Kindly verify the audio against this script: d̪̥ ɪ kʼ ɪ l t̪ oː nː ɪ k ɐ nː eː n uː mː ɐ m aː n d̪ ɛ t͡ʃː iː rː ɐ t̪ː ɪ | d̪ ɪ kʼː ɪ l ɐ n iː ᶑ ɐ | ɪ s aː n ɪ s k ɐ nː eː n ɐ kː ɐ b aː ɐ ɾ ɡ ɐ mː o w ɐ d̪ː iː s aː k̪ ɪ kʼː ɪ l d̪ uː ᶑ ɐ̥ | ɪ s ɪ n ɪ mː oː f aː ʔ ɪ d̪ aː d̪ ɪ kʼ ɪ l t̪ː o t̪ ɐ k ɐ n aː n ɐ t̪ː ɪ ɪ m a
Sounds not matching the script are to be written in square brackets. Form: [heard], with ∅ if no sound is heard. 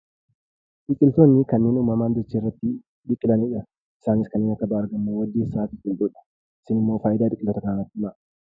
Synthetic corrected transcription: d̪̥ ɪ kʼ ɪ l t̪ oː nː ɪ k ɐ nː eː n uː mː ɐ m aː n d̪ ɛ t͡ʃː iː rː ɐ t̪ː ɪ | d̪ ɪ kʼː ɪ l ɐ n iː ᶑ ɐ | ɪ s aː n ɪ s k ɐ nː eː n ɐ kː ɐ b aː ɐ ɾ ɡ ɐ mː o w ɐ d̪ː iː s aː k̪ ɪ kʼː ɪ l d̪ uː ᶑ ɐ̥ | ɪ s ɪ n ɪ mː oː f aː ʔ ɪ d̪ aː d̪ ɪ kʼ ɪ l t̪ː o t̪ ɐ k ɐ n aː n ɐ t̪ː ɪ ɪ m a